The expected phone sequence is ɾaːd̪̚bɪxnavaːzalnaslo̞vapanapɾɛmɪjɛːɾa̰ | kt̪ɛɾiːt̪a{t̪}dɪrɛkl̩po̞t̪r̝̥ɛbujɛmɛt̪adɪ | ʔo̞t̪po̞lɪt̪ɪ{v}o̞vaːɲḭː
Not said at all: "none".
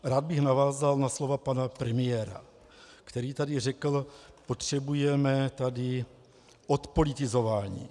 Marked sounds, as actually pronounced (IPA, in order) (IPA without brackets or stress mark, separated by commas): none, z